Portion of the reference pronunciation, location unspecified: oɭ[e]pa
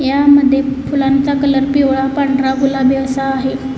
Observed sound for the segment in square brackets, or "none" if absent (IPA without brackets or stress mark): a